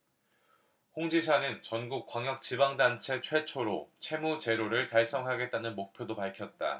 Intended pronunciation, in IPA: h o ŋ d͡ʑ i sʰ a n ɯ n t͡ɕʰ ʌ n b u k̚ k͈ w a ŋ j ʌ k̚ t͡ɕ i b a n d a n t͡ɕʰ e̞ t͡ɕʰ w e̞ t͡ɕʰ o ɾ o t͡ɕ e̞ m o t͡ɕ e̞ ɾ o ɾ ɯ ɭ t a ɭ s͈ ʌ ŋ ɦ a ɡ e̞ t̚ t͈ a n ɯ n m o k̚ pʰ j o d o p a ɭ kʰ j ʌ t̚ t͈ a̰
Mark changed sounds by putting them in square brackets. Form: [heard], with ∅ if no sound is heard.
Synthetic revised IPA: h o ŋ d͡ʑ i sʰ a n ɯ n [t͡ɕ] ʌ n [ɡ] u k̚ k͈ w a ŋ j ʌ k̚ t͡ɕ i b a [ŋ] d a n t͡ɕʰ e̞ t͡ɕʰ w e̞ t͡ɕʰ o ɾ o [t͡ɕʰ] e̞ m [u] t͡ɕ e̞ ɾ o ɾ ɯ ɭ t a ɭ s͈ ʌ ŋ ɦ a ɡ e̞ t̚ t͈ a n ɯ n m o k̚ pʰ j o d o p a ɭ kʰ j ʌ t̚ t͈ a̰